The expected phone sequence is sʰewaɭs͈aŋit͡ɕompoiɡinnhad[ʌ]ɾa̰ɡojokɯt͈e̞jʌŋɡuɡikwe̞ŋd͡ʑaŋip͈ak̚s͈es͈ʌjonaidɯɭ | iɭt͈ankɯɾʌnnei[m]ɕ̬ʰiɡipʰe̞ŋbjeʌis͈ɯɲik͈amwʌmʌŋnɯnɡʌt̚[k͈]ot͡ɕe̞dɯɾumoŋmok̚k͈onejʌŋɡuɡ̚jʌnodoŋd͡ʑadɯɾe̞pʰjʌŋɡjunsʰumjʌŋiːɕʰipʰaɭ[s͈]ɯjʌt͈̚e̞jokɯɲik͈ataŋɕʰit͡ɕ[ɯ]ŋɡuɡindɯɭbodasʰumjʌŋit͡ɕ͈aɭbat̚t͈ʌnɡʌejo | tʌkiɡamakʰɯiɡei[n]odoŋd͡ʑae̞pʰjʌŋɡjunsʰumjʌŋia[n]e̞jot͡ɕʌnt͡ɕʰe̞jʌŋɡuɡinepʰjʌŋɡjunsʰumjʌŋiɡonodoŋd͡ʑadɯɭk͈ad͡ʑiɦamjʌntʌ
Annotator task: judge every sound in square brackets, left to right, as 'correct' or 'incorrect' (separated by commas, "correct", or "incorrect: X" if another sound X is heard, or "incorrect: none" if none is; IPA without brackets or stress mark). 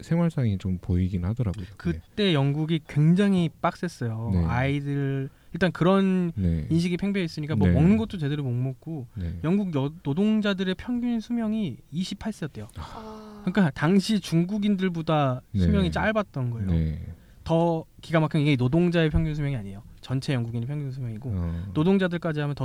correct, incorrect: n, incorrect: t͈, correct, incorrect: u, correct, incorrect: ɲ